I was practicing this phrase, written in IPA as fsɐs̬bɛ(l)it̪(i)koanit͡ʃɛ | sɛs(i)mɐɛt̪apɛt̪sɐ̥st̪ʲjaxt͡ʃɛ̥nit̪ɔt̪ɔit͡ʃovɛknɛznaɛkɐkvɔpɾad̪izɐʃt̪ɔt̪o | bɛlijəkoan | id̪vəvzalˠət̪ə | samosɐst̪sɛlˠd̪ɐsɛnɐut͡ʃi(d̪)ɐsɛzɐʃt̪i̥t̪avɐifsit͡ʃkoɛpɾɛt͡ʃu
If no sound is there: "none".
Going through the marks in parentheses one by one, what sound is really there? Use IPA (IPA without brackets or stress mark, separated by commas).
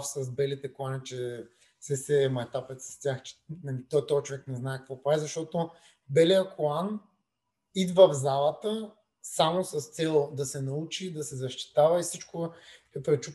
l, ɛ, ɛ, d̪